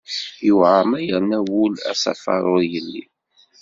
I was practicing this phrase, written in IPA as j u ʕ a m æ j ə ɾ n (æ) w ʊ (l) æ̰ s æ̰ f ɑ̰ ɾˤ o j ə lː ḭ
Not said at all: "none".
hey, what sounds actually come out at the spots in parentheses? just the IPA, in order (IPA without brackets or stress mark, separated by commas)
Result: æ, l